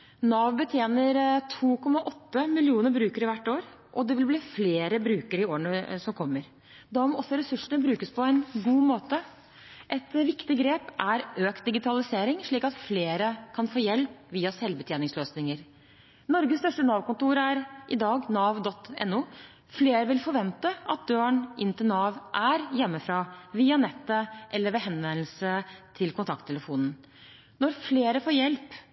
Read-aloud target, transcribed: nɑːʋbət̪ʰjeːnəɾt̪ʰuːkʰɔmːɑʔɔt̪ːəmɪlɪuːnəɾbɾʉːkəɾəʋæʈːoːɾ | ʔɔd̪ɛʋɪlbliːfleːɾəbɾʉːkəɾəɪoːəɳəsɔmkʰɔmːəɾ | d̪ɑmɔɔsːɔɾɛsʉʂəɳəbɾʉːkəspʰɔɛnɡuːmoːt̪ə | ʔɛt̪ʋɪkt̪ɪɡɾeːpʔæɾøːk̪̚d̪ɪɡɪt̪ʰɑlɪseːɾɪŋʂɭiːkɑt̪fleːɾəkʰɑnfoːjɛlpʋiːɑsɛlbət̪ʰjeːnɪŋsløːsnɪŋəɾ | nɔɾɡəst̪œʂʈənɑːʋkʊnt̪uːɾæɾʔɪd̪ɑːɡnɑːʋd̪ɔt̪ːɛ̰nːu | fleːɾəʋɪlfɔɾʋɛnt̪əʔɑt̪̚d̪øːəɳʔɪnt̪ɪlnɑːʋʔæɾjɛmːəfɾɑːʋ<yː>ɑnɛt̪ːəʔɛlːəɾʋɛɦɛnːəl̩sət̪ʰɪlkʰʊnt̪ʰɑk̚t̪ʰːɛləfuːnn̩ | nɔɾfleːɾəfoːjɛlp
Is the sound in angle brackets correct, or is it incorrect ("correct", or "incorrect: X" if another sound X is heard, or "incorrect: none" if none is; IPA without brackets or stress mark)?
incorrect: iː